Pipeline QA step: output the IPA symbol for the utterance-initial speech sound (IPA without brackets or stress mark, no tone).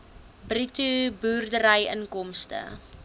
b